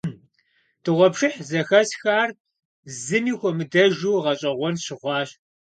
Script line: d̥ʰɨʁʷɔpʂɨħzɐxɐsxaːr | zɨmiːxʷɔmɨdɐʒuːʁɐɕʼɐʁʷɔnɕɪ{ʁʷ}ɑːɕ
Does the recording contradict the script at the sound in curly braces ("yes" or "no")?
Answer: no